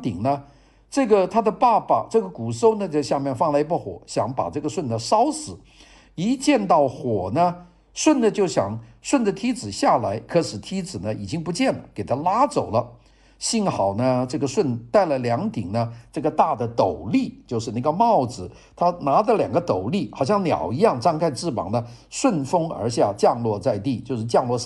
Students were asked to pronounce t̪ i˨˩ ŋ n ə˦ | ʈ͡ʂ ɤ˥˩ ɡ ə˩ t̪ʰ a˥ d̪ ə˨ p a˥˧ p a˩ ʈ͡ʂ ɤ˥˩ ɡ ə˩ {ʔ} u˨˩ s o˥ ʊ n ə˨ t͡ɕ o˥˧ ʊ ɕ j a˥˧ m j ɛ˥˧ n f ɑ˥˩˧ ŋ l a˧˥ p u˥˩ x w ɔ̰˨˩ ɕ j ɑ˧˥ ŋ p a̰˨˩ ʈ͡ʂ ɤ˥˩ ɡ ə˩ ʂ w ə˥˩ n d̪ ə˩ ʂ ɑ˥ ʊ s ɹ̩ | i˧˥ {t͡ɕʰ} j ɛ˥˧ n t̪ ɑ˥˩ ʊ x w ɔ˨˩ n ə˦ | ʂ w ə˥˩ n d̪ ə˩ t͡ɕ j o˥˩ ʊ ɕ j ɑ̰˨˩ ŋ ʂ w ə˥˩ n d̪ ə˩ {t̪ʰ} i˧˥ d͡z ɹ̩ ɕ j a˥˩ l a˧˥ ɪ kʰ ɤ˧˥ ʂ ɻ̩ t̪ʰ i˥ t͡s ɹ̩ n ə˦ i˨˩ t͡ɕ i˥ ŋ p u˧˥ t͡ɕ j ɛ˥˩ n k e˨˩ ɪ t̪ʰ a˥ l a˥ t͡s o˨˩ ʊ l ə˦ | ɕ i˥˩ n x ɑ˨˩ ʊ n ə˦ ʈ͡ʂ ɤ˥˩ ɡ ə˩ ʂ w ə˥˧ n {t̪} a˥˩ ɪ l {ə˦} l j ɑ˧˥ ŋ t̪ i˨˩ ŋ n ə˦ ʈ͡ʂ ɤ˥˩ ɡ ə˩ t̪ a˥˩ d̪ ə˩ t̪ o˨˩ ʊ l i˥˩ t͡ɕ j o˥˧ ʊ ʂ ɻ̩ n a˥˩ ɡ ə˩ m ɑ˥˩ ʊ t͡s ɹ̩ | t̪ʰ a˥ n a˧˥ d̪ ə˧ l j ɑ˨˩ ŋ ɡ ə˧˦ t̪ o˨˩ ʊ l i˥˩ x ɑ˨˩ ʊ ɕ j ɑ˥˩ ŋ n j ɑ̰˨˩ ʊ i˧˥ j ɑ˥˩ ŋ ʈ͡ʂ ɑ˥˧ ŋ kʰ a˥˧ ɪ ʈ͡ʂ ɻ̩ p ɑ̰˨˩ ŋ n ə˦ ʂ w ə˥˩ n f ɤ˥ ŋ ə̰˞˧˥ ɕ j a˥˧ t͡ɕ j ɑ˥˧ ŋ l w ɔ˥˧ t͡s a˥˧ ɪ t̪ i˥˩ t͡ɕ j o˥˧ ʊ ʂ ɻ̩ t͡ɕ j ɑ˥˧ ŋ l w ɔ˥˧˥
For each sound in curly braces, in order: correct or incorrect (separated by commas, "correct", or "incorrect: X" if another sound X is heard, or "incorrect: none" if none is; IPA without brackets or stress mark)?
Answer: incorrect: k, incorrect: t͡ɕ, correct, correct, incorrect: ə˩